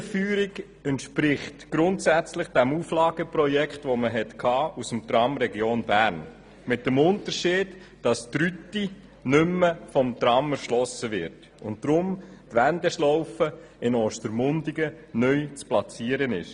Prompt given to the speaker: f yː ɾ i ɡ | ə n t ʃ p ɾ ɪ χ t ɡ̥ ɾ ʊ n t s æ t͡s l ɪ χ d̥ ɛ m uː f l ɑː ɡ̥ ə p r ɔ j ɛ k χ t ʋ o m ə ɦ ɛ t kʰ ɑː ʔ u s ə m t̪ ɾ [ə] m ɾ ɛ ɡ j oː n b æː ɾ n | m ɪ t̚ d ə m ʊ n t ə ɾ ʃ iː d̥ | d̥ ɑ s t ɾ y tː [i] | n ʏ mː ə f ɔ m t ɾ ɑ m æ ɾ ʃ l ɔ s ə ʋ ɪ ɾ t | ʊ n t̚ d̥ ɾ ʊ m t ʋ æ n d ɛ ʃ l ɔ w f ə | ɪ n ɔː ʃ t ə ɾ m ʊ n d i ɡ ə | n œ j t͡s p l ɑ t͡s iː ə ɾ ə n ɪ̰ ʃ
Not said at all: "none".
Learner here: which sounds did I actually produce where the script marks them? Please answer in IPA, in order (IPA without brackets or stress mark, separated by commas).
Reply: ɑ, i